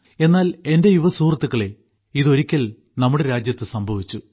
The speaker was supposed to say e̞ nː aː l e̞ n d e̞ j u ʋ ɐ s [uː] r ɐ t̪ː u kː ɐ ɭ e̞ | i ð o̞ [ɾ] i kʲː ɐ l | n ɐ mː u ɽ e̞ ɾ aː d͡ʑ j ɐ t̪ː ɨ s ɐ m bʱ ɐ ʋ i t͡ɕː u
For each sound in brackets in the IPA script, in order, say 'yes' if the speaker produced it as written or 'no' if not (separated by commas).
yes, yes